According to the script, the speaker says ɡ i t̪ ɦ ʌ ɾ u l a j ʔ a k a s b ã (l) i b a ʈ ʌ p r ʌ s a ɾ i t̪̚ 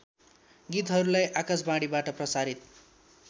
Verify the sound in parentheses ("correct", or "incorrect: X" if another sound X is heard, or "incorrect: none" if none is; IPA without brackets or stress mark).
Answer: incorrect: ɽ